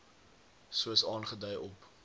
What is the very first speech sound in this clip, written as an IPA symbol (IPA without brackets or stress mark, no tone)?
s